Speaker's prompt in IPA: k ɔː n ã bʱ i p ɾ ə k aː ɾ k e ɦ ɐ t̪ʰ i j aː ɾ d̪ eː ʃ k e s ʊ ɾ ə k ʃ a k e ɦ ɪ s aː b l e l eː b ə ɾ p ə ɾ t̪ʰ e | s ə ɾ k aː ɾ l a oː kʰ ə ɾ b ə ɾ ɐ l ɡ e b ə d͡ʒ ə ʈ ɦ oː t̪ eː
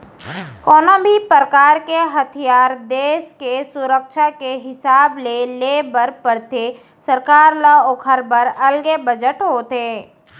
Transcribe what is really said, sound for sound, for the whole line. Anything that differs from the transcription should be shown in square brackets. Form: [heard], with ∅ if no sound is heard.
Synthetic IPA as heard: k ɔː n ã bʱ i p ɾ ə k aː ɾ k e ɦ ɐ t̪ʰ i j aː ɾ d̪ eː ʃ k e s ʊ ɾ ə k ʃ a k e ɦ ɪ s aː b l e l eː b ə ɾ p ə ɾ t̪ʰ e | s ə ɾ k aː ɾ l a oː kʰ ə ɾ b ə ɾ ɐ l ɡ e b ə d͡ʒ ə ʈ ɦ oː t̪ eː